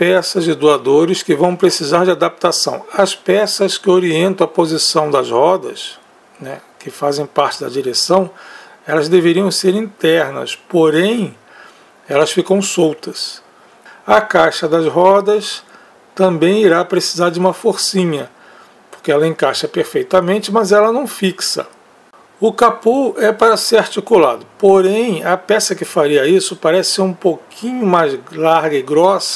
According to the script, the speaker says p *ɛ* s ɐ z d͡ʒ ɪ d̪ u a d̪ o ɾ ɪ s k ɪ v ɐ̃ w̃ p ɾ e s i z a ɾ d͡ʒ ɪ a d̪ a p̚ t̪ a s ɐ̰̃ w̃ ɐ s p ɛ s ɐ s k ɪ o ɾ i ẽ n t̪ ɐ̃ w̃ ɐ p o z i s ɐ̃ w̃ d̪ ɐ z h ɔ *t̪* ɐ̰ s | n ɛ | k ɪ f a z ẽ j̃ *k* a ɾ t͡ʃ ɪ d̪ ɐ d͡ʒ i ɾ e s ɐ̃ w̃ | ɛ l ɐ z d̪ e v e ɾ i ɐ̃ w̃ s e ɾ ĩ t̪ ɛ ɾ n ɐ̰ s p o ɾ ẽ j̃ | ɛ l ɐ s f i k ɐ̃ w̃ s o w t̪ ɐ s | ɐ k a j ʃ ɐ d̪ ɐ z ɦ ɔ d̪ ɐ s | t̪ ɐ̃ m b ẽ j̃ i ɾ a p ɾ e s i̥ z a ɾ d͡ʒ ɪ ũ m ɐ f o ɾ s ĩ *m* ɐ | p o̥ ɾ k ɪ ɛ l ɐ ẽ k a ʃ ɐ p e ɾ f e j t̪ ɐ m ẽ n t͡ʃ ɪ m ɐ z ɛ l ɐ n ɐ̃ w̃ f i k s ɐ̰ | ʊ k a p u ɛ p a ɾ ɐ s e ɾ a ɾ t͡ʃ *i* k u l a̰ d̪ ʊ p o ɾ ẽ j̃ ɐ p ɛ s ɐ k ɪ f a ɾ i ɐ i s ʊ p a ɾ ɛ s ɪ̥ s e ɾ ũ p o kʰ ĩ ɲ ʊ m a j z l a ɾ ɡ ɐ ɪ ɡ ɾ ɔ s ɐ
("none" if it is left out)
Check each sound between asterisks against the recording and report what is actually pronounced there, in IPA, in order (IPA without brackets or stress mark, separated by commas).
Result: ɛ, d̪, p, ɲ, i